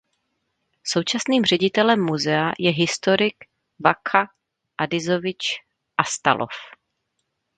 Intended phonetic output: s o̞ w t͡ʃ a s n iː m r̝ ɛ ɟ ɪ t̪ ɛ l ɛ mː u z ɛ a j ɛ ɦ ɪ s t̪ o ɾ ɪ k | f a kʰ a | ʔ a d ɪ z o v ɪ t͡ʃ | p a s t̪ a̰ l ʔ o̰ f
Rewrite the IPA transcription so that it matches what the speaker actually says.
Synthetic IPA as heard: s o̞ w t͡ʃ a s n iː m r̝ ɛ ɟ ɪ t̪ ɛ l ɛ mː u z ɛ a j ɛ ɦ ɪ s t̪ o ɾ ɪ k | v a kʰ a | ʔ a d ɪ z o v ɪ t͡ʃ | ʔ a s t̪ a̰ l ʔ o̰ f

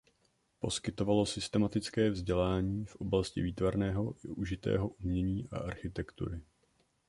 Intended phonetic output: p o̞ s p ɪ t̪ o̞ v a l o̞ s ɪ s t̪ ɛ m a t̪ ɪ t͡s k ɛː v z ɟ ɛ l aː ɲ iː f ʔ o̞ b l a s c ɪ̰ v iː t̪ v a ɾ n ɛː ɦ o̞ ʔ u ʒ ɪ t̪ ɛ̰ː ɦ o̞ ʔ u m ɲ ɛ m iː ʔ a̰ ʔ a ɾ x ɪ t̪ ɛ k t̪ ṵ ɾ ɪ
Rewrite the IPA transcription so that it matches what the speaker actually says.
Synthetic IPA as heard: p o̞ s k ɪ t̪ o̞ v a l o̞ s ɪ s t̪ ɛ m a t̪ ɪ t͡s k ɛː v z ɟ ɛ l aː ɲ iː f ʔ o̞ b l a s c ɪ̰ v iː t̪ v a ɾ n ɛː ɦ o̞ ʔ u ʒ ɪ t̪ ɛ̰ː ɦ o̞ ʔ u m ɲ ɛ ɲ iː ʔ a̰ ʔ a ɾ x ɪ t̪ ɛ k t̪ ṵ ɾ ɪ

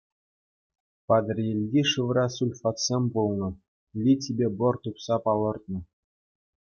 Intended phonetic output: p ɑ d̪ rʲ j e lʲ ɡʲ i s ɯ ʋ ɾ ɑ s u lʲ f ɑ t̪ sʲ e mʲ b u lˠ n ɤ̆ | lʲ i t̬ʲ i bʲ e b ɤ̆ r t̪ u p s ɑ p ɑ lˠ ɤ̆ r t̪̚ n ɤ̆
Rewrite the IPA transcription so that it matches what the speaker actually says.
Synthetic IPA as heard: p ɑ d̪ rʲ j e lʲ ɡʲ i ʂ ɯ ʋ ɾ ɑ s u lʲ f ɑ t̪ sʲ e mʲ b u lˠ n ɤ̆ | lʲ i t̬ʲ i bʲ e b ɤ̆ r t̪ u p s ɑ p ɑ lˠ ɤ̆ r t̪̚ n ɤ̆

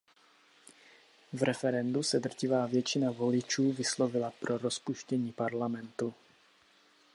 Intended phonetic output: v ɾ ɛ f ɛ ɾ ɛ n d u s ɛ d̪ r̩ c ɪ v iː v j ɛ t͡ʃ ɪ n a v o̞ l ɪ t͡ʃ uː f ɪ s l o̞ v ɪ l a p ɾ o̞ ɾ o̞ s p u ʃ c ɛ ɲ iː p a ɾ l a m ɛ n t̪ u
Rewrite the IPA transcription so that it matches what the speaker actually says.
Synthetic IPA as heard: v ɾ ɛ f ɛ ɾ ɛ n d u s ɛ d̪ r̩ c ɪ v aː v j ɛ t͡ʃ ɪ n a v o̞ l ɪ t͡ʃ uː v ɪ s l o̞ v ɪ l a p ɾ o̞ ɾ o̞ s p u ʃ c ɛ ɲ iː p a ɾ l a m ɛ n t̪ u

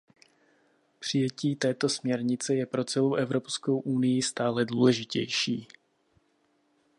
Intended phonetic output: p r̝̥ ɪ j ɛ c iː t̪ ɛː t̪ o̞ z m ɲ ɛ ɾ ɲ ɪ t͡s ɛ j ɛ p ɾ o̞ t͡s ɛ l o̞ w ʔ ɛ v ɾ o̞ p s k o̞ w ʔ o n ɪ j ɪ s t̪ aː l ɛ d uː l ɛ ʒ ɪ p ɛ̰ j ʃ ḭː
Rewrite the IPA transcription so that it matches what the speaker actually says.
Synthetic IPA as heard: p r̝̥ ɪ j ɛ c iː t̪ ɛː t̪ o̞ s m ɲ ɛ ɾ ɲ ɪ t͡s ɛ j ɛ p ɾ o̞ t͡s ɛ l o̞ w ʔ ɛ v ɾ o̞ p s k o̞ w ʔ u n ɪ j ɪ s t̪ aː l ɛ d uː l ɛ ʒ ɪ c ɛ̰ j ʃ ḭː

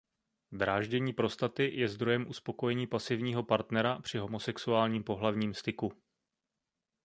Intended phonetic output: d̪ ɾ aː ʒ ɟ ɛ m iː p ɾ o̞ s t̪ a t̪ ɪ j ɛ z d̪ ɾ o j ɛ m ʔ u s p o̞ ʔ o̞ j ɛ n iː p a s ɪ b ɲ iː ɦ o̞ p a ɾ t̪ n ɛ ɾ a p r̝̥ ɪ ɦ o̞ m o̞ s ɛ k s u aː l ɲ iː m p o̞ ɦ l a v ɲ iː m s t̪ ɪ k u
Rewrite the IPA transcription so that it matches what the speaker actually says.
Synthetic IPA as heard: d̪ ɾ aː ʒ ɟ ɛ ɲ iː p ɾ o̞ s t̪ a t̪ ɪ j ɛ z d̪ ɾ o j ɛ m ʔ u s p o̞ k o̞ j ɛ ɲ iː p a s ɪ v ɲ iː ɦ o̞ p a ɾ t̪ n ɛ ɾ a p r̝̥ ɪ ɦ o̞ m o̞ s ɛ k s u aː l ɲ iː m p o̞ ɦ l a v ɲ iː m s t̪ ɪ k u

